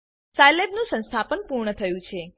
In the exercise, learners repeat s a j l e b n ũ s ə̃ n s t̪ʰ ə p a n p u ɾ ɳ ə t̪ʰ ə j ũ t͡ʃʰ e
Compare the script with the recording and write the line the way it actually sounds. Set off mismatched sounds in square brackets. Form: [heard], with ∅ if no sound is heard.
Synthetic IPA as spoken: s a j l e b n ũ s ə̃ n s t̪ʰ [a] p [ə] n p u ɾ ɳ ə t̪ʰ ə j ũ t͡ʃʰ e